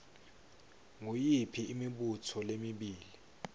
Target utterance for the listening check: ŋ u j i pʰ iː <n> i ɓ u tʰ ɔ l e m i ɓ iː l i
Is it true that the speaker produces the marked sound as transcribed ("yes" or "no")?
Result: no